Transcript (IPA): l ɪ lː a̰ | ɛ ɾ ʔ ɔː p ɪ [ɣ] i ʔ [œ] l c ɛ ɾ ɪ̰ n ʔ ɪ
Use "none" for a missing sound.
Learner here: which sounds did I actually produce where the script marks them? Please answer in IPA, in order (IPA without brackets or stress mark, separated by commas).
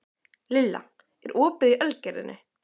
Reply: ð, œ